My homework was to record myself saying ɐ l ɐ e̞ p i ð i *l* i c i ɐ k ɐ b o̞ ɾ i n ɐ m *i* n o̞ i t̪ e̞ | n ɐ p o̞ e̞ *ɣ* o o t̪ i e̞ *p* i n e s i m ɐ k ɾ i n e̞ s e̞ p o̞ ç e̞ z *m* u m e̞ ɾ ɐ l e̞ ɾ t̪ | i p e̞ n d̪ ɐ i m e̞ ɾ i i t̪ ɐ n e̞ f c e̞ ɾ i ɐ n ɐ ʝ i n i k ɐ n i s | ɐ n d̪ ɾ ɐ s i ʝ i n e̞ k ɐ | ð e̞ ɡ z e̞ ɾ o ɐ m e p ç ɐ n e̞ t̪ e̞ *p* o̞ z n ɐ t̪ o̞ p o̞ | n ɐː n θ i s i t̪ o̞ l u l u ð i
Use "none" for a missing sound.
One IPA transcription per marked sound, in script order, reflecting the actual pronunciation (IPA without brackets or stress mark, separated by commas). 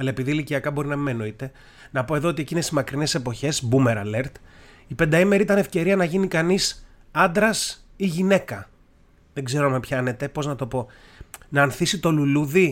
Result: l, e, ð, c, b, p